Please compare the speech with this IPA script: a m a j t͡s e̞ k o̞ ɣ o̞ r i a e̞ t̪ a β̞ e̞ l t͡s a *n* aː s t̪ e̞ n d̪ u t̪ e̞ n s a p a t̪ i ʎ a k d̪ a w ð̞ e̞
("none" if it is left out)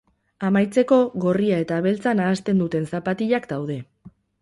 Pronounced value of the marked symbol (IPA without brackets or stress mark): n